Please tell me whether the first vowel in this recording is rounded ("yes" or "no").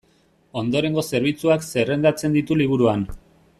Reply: yes